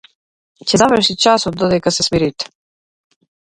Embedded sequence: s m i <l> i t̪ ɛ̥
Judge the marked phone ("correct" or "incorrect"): incorrect